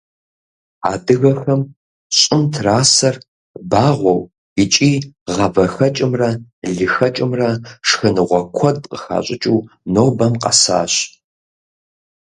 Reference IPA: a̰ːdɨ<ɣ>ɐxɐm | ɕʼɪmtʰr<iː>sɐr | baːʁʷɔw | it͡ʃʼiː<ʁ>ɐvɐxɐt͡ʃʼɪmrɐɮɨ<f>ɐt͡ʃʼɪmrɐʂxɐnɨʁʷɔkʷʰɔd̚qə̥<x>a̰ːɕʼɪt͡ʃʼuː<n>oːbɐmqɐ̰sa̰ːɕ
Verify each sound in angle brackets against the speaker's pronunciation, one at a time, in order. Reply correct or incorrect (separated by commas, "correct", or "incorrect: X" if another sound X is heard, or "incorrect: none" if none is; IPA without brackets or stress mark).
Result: correct, incorrect: aː, correct, incorrect: x, correct, correct